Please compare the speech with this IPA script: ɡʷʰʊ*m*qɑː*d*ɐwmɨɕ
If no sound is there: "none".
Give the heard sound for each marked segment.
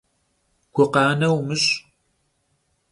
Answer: none, n

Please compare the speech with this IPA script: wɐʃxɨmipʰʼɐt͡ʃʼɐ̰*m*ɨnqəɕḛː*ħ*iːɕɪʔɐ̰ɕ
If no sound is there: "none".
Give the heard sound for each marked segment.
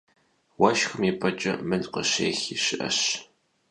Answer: m, x

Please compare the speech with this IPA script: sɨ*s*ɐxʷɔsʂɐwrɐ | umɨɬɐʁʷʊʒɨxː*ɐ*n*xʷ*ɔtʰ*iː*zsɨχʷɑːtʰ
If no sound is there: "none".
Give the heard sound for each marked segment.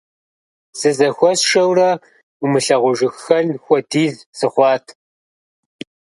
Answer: z, ɐ, xʷ, iː

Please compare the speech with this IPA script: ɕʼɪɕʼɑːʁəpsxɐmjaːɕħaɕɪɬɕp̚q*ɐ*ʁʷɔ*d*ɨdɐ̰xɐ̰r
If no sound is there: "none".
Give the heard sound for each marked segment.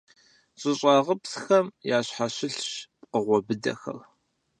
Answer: ə, b

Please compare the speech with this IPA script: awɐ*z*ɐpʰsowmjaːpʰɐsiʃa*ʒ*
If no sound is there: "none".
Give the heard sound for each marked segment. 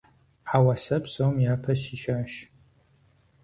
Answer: s, ʃ

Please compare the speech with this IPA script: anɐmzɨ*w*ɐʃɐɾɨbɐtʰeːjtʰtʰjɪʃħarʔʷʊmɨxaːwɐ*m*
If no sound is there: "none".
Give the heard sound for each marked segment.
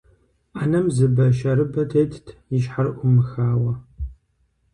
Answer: b, none

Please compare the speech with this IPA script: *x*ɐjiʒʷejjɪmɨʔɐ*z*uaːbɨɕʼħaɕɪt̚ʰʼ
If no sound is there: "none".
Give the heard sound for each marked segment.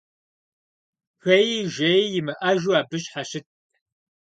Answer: x, ʒ

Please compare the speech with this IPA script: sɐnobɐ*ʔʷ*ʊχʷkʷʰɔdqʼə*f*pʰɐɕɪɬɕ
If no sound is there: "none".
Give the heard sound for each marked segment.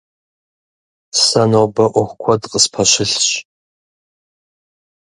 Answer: ʔʷ, s

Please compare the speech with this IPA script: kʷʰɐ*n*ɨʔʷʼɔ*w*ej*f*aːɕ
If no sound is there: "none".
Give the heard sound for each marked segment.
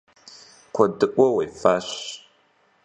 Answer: d, w, f

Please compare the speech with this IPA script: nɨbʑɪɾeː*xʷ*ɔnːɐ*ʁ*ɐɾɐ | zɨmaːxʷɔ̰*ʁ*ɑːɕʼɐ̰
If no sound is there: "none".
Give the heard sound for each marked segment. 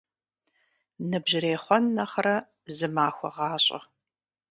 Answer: χʷ, χ, ʁ

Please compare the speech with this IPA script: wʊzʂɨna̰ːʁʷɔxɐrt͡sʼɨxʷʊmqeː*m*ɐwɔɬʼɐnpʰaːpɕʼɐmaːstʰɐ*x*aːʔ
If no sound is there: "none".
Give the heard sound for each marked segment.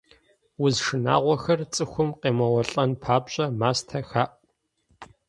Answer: m, x

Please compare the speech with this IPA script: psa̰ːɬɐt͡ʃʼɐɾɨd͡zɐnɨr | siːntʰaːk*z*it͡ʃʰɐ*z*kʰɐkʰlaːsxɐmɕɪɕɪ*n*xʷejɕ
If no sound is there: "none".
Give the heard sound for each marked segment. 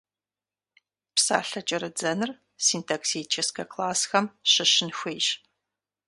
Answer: s, s, n

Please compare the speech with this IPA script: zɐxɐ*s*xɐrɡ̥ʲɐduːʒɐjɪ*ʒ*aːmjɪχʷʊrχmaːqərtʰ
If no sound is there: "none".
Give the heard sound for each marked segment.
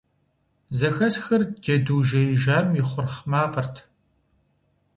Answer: s, ʒ

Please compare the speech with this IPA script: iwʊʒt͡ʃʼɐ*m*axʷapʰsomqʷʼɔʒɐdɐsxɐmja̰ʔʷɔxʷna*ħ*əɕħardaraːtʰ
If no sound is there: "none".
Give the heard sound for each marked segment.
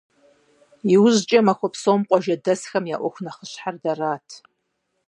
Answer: m, χ

